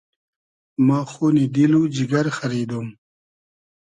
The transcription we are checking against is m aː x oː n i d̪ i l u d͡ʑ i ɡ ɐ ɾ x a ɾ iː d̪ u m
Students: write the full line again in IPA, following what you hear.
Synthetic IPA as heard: m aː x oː n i d̪ i l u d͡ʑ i ɡ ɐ ɾ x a ɾ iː d̪ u m